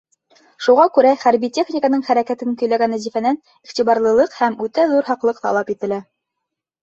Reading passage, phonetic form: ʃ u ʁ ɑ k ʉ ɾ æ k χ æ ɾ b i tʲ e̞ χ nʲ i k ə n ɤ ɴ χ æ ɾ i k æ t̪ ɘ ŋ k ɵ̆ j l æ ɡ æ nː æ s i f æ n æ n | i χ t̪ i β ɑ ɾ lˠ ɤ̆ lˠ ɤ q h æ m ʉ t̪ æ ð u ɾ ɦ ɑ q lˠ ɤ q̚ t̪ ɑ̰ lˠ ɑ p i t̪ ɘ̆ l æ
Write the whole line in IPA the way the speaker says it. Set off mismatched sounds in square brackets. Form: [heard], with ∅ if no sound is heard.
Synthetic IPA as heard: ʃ u ʁ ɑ k ʉ ɾ æ [∅] χ æ ɾ b i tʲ e̞ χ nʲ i k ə n ɤ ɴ χ æ ɾ [æ] k æ t̪ ɘ ŋ k ɵ̆ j l æ ɡ æ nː æ [z] i f æ n æ n | i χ t̪ i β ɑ ɾ lˠ ɤ̆ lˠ ɤ q h æ m ʉ t̪ æ ð u ɾ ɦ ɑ q lˠ ɤ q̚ t̪ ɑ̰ lˠ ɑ p i t̪ ɘ̆ l æ